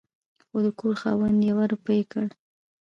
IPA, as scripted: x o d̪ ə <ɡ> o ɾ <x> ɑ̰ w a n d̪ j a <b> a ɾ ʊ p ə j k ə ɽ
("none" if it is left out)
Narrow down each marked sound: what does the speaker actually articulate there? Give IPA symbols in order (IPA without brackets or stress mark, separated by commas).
k, x, w